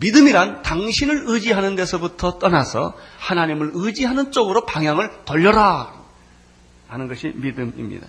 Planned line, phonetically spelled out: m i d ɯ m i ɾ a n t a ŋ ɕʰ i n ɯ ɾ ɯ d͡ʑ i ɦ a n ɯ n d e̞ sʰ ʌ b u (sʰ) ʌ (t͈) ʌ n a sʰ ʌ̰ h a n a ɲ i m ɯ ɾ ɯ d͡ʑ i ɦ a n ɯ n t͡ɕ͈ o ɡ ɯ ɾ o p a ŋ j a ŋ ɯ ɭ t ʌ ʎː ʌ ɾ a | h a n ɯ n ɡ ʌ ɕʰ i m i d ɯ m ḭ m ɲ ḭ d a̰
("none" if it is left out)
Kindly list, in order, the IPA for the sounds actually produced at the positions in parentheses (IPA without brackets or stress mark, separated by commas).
tʰ, t͈